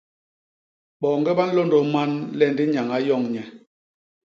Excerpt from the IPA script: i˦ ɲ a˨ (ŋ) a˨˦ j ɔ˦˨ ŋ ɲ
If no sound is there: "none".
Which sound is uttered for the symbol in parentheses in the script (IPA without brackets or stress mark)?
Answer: ŋ